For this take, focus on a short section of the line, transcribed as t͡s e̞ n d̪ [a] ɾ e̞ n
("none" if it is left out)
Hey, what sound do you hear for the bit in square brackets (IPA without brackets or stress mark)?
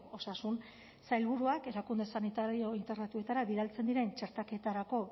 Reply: i